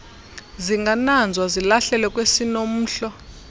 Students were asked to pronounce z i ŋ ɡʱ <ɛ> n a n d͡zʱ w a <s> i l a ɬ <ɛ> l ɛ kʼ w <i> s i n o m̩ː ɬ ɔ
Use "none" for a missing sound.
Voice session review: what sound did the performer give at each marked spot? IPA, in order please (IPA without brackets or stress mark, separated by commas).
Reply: a, z, ɛ, e